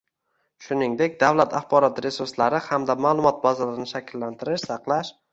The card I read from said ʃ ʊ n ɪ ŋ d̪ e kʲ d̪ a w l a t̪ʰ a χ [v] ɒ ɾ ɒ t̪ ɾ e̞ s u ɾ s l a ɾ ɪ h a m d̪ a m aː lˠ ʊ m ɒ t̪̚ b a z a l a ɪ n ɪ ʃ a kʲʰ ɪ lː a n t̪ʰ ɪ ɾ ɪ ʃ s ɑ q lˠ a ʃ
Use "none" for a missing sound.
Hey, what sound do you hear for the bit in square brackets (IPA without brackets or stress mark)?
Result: b